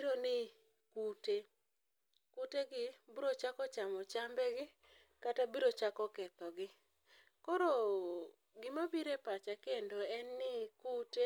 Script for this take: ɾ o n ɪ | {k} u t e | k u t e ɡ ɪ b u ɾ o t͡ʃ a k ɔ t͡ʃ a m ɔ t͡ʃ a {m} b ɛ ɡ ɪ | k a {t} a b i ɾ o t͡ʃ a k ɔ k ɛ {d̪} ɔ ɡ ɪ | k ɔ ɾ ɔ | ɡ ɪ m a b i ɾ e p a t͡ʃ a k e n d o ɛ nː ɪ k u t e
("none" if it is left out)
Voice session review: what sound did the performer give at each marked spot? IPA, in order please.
k, m, t, t̪

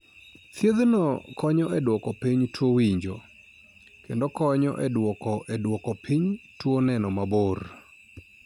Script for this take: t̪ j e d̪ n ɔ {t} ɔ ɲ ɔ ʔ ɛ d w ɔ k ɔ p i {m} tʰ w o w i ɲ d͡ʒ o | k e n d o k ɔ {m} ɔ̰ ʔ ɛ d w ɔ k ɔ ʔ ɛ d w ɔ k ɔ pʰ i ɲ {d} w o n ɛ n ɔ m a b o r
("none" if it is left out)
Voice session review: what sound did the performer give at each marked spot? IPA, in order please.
k, ɲ, ɲ, t

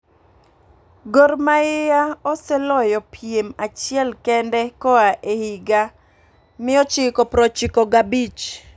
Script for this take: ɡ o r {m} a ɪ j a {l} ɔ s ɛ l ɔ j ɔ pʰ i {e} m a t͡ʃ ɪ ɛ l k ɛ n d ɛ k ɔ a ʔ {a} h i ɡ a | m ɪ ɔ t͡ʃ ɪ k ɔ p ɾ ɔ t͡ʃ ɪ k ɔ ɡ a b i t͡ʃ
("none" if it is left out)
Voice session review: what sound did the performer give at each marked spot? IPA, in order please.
m, none, e, e

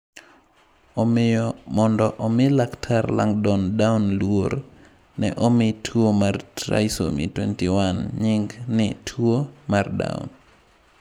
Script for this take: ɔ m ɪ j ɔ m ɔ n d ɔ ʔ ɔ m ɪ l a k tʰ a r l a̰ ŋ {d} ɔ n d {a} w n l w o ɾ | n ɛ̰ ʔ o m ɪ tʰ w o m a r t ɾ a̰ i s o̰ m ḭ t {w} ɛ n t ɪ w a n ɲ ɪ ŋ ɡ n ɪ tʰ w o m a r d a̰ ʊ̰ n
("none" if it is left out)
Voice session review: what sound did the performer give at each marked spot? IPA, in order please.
d, a, w

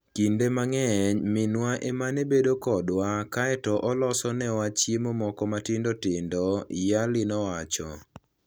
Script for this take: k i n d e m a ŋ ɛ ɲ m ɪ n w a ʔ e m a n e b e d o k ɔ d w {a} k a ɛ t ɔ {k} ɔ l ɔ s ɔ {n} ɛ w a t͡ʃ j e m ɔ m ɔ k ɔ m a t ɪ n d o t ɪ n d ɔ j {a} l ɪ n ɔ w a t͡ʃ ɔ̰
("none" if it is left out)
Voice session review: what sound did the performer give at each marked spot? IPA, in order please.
a, ʔ, n, a

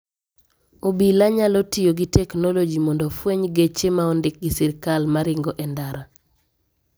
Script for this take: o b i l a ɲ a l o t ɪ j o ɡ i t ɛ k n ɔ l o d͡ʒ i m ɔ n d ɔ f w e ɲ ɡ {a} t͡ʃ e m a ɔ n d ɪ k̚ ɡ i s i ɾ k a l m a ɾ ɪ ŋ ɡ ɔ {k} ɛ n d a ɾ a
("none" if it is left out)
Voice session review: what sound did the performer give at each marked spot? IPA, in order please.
e, ʔ

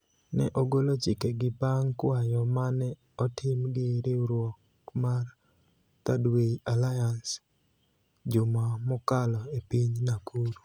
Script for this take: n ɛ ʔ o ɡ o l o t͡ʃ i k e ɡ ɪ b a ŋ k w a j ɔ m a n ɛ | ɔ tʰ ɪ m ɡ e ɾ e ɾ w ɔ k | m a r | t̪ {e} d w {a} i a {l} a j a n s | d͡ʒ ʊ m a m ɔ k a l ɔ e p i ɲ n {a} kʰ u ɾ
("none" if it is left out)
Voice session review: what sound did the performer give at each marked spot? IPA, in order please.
a, e, l, a

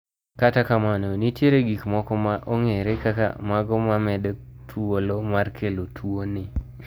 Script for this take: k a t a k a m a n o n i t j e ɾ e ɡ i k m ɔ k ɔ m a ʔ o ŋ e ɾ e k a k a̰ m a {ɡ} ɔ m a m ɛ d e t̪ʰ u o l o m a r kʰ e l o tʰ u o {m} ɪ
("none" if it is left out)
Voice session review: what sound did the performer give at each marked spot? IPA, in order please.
ɡ, n

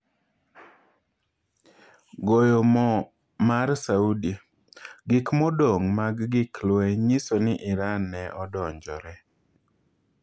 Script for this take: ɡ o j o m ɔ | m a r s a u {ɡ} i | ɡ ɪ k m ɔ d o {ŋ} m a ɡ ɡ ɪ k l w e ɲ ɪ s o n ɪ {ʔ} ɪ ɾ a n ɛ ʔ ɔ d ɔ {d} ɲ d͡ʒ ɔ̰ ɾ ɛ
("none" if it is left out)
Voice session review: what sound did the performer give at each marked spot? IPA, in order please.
d, ŋ, ʔ, none

